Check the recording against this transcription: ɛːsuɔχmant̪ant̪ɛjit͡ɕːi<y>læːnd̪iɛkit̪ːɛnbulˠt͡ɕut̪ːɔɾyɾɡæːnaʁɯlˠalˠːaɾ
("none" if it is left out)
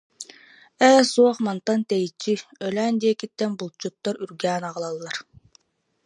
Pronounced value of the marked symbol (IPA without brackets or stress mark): œ